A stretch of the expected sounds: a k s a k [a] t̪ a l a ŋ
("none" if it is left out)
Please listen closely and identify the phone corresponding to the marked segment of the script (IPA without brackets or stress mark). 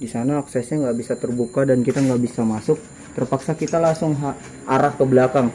i